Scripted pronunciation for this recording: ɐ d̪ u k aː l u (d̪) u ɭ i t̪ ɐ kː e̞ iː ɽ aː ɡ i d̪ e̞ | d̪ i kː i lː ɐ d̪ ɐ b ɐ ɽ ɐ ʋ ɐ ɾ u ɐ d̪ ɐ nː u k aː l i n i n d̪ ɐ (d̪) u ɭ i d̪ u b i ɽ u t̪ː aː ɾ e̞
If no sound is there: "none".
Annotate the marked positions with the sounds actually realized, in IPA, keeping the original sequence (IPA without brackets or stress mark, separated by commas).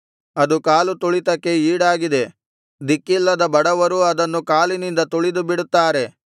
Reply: t̪, t̪